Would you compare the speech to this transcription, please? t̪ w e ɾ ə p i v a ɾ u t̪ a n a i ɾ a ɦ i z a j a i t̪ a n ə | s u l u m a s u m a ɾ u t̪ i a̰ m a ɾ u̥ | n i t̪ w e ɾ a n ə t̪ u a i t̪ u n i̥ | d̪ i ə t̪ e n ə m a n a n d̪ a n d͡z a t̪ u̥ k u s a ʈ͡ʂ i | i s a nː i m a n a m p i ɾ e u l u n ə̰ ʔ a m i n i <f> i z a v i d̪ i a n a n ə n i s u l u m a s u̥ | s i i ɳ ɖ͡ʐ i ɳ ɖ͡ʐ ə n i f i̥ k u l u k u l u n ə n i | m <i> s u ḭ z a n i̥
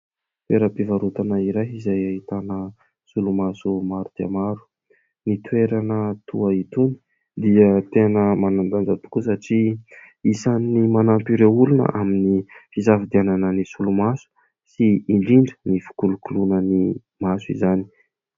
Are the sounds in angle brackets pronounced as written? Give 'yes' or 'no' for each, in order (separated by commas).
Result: yes, no